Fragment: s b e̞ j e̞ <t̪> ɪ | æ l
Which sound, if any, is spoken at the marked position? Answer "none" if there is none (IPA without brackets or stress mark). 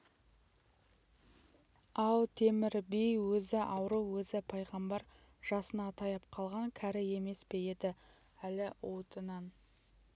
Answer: d̪